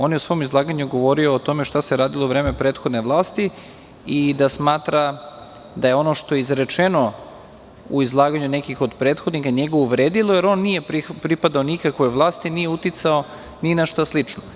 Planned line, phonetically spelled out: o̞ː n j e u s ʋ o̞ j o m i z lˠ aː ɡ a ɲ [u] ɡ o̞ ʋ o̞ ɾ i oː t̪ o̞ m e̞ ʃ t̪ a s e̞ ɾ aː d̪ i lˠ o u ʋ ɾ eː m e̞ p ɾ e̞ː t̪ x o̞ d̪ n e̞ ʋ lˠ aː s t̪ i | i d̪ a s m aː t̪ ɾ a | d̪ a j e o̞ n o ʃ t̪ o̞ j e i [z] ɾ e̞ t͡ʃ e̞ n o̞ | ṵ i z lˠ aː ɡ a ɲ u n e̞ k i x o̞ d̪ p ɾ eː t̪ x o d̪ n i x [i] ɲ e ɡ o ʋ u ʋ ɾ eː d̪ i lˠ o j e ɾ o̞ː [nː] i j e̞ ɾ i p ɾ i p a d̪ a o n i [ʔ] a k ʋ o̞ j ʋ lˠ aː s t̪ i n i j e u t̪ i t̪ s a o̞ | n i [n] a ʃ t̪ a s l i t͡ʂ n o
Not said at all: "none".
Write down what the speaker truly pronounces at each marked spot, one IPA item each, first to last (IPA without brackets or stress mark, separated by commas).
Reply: u, z, a, nː, k, n